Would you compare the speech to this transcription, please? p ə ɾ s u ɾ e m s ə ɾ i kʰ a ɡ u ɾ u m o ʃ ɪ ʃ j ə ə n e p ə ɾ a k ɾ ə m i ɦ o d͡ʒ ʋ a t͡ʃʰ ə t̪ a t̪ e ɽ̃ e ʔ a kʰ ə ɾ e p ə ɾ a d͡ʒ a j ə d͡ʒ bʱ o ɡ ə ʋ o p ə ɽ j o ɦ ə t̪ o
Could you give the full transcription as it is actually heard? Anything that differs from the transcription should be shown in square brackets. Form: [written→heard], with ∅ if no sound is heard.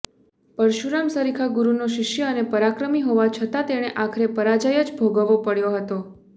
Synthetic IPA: p ə ɾ [s→ʃ] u ɾ [e→a] m s ə ɾ i kʰ a ɡ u ɾ u [m→n] o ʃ ɪ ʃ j ə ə n e p ə ɾ a k ɾ ə m i ɦ o [d͡ʒ→∅] ʋ a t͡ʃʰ ə t̪ a t̪ e ɽ̃ e ʔ a kʰ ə ɾ e p ə ɾ a d͡ʒ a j ə d͡ʒ bʱ o ɡ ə ʋ o p ə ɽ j o ɦ ə t̪ o